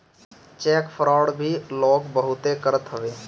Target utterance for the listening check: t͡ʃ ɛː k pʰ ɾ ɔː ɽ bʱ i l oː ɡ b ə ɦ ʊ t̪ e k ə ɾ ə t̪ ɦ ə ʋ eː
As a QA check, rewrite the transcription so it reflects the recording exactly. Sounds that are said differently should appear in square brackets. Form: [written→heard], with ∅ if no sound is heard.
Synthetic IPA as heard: t͡ʃ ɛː k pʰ ɾ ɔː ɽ bʱ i l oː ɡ b ə ɦ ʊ t̪ e k ə ɾ ə t̪ ɦ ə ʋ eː